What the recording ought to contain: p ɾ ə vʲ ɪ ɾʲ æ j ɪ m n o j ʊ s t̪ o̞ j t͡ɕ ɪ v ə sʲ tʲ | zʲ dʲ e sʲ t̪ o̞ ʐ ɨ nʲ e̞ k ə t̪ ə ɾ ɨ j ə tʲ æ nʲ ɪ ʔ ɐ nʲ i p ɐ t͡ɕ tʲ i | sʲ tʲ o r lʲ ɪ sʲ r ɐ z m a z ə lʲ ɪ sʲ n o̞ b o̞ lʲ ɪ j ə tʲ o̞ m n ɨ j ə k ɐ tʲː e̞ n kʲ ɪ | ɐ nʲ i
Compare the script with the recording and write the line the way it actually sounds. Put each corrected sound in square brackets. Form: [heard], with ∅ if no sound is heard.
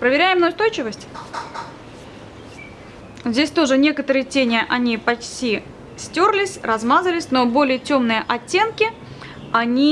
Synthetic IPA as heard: p ɾ ə vʲ ɪ ɾʲ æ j ɪ m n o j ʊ s t̪ o̞ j t͡ɕ ɪ v ə sʲ tʲ | zʲ dʲ e sʲ t̪ o̞ ʐ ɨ nʲ e̞ k ə t̪ ə ɾ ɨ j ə tʲ [e] nʲ ɪ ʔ ɐ nʲ i p ɐ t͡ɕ tʲ i | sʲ tʲ o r lʲ ɪ sʲ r ɐ z m a z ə lʲ ɪ sʲ n o̞ b o̞ lʲ ɪ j ə tʲ o̞ m n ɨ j ə [ʔ] ɐ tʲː e̞ n kʲ ɪ | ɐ nʲ i